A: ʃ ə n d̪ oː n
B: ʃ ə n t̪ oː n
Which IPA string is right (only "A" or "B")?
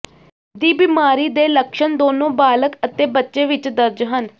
A